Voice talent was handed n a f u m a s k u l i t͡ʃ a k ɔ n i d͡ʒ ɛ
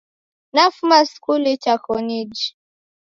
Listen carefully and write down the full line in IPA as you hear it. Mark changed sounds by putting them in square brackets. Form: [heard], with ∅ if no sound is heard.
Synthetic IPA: n a f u m a s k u l i t͡ʃ a k ɔ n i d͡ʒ [i]